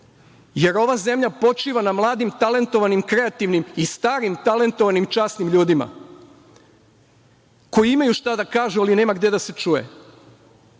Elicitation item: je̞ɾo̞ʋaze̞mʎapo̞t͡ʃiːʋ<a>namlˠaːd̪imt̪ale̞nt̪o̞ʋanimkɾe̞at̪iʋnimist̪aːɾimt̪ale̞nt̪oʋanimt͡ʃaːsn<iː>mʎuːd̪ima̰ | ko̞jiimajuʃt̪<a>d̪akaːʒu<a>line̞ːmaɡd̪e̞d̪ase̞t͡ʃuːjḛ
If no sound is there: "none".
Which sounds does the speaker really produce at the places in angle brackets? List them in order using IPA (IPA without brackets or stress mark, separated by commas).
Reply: a, i, a, a